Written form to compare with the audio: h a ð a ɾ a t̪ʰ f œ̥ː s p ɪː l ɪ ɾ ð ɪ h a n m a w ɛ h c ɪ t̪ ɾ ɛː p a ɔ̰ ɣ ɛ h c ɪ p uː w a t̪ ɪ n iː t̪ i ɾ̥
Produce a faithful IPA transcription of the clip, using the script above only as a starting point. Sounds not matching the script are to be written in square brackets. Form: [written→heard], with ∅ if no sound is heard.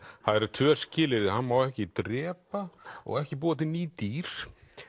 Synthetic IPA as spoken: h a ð [a→ɛ] ɾ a t̪ʰ [f→v] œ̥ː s [p→c] ɪː l ɪ ɾ ð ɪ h a n m a w ɛ h c ɪ t̪ ɾ ɛː p a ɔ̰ ɣ ɛ h c ɪ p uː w a t̪ ɪ n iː t̪ i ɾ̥